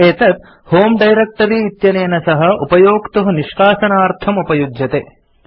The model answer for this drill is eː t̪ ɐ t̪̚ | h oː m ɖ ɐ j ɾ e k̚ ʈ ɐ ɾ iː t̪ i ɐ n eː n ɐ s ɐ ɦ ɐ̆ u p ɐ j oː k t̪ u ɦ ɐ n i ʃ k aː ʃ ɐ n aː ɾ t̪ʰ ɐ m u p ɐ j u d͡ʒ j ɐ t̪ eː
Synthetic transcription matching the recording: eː t̪ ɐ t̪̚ | h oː m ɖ ɐ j ɾ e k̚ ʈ ɐ ɾ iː t̪ j ɐ n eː n ɐ s ɐ ɦ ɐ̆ u p ɐ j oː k t̪ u ɦ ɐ n i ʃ k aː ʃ ɐ n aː ɾ t̪ʰ ɐ m u p ɐ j u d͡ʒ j ɐ t̪ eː